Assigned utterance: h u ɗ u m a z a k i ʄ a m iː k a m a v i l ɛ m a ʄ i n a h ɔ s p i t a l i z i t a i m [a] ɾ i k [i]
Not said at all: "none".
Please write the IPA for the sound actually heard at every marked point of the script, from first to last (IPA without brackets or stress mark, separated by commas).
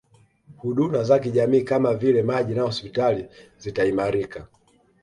a, a